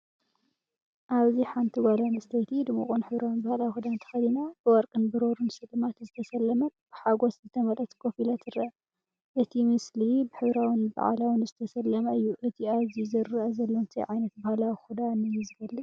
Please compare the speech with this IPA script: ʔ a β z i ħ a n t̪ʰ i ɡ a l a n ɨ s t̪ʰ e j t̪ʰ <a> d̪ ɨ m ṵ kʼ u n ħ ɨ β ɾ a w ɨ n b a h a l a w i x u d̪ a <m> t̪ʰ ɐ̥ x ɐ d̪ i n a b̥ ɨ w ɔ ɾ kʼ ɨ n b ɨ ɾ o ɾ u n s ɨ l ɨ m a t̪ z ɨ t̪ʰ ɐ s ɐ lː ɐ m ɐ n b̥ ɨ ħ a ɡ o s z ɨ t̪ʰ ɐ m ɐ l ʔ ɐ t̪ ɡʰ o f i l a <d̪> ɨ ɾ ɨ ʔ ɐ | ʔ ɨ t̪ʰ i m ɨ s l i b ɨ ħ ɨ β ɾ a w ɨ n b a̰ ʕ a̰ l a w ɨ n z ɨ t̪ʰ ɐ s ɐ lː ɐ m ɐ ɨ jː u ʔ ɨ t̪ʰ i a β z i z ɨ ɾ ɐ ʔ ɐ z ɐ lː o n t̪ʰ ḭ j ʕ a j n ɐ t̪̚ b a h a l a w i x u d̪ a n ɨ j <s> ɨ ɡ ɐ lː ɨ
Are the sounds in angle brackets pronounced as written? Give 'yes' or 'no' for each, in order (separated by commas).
no, no, no, no